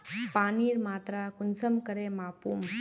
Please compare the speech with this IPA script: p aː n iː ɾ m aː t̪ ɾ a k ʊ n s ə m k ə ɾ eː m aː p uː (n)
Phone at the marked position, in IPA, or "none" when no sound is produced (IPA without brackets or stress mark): m